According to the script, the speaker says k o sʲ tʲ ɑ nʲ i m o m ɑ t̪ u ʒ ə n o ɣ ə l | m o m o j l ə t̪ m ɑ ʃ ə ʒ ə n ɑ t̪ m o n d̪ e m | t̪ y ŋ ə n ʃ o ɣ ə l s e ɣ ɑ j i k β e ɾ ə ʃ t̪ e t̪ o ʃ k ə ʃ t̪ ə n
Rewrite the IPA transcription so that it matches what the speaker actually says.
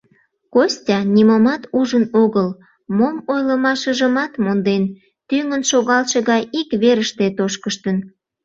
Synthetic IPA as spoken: k o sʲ tʲ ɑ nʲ i m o m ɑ t̪ u ʒ ə n o ɣ ə l | m o m o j l ə m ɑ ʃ ə ʒ ə m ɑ t̪ m o n d̪ e n | t̪ y ŋ ə n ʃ o ɣ ɑ l ʃ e ɣ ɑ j i k β e ɾ ə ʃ t̪ e t̪ o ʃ k ə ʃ t̪ ə n